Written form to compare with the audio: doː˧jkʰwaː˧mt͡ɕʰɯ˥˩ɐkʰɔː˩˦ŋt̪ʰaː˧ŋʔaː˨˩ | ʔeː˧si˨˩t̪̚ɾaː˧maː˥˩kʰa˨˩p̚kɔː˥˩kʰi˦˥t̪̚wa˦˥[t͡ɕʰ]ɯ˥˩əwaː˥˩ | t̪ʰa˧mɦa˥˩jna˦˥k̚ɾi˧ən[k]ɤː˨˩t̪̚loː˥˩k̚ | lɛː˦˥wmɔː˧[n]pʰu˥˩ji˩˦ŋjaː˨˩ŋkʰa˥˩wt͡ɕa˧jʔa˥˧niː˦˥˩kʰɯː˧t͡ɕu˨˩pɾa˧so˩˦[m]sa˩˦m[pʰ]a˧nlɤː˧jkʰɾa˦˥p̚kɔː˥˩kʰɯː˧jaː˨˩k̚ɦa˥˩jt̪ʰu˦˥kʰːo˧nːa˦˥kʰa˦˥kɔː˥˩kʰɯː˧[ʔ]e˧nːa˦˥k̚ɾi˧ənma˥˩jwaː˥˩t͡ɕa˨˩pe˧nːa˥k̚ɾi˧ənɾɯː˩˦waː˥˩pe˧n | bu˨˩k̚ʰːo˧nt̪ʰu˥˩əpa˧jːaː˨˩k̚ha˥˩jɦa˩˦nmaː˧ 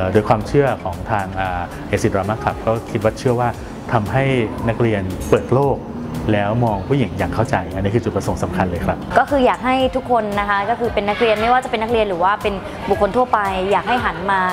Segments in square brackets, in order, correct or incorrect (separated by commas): correct, incorrect, incorrect, incorrect, incorrect, incorrect